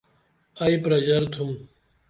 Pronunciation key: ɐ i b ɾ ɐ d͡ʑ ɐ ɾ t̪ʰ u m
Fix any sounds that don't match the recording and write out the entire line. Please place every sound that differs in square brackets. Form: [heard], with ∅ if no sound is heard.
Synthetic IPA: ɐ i [p] ɾ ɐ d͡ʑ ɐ ɾ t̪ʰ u m